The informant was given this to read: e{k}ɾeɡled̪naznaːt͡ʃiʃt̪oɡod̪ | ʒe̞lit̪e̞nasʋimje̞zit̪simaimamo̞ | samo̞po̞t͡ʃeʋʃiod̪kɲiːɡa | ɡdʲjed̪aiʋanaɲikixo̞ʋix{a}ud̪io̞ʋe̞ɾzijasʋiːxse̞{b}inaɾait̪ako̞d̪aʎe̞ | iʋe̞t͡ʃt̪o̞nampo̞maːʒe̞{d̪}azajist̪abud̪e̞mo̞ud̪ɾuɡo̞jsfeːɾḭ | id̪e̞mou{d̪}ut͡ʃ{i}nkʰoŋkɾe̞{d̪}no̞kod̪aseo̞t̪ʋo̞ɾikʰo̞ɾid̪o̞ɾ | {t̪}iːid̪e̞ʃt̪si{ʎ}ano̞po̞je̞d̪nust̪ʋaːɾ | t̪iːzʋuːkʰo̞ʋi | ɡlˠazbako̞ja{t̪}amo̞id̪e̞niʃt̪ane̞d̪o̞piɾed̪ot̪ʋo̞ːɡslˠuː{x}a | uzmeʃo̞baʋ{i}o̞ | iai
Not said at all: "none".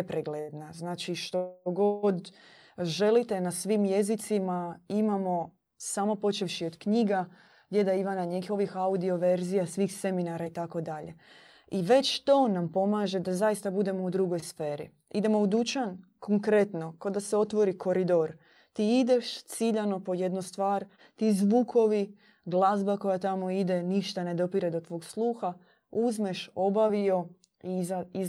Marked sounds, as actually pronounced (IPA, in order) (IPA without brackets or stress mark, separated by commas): p, a, m, d̪, d̪, a, t̪, t̪, ʎ, t̪, x, i